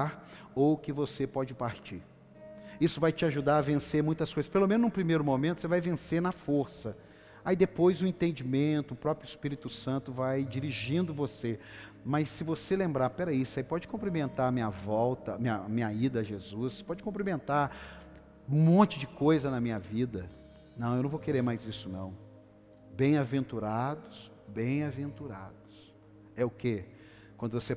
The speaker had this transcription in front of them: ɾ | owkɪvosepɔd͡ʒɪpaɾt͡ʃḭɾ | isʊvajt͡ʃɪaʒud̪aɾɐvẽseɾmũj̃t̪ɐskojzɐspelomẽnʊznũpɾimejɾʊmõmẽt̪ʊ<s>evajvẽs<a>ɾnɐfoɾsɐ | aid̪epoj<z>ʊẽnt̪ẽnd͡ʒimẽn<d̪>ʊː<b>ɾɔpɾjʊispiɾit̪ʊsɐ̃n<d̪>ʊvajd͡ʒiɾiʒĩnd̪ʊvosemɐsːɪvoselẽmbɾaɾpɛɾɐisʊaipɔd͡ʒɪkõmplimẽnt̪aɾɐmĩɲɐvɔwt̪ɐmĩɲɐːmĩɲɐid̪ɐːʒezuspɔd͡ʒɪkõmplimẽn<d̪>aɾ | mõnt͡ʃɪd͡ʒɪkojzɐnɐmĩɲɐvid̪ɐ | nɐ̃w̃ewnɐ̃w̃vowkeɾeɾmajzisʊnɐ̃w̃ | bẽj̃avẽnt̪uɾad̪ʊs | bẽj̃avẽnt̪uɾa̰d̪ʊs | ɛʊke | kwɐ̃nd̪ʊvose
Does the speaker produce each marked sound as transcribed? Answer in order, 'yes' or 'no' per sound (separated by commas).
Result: yes, no, yes, no, no, no, no